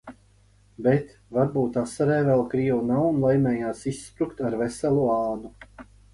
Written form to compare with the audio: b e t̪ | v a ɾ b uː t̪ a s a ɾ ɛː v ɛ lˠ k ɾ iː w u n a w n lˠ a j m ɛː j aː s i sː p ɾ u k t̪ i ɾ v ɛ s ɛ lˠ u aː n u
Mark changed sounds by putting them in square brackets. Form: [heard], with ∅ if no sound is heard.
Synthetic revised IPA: b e t̪ | v a ɾ b uː t̪ a s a ɾ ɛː v ɛ lˠ k ɾ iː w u n a w n lˠ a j m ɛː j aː s i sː p ɾ u k t̪ [a] ɾ v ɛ s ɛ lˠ u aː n u